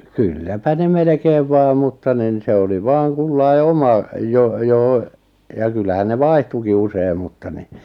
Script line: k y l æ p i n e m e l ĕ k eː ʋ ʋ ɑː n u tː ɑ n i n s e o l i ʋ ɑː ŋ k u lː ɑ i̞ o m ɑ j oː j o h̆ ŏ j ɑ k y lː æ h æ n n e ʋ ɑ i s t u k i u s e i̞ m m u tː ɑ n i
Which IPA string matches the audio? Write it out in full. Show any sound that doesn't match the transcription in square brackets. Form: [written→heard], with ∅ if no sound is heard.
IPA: k y [l→lː] æ p [i→æ] n e m e l ĕ k eː ʋ ʋ ɑː [n→m] u tː ɑ n i n s e o l i ʋ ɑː ŋ k u lː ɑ i̞ o m ɑ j [oː→o] j o h̆ ŏ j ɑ k y lː æ h æ n n e ʋ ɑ i [s→h] t u k i u s e i̞ m m u tː ɑ n i